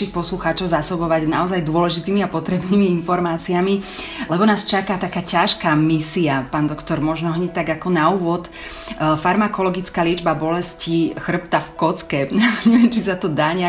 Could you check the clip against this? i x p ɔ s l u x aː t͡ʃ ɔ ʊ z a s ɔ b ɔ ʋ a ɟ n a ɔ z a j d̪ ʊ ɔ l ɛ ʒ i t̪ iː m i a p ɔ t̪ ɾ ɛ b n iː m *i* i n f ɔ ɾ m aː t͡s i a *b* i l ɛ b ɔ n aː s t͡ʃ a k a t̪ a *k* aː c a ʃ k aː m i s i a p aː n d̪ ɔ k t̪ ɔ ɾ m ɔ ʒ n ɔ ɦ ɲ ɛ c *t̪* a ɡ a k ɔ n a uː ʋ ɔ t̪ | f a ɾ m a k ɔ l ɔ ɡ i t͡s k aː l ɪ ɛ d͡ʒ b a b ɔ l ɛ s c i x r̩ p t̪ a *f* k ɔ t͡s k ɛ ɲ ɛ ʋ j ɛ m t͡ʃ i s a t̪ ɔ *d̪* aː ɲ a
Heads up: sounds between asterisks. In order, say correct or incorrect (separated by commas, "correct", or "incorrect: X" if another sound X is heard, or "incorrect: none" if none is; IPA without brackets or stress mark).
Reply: correct, incorrect: m, correct, correct, correct, correct